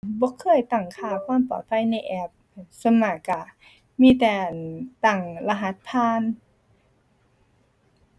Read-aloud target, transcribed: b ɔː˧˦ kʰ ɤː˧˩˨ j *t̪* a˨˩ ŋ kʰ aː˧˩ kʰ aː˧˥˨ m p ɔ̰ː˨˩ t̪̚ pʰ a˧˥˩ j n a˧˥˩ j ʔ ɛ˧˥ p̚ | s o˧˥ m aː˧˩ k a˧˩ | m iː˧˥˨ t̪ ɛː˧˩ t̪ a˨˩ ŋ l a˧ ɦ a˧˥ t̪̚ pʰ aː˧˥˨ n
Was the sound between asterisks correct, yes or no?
yes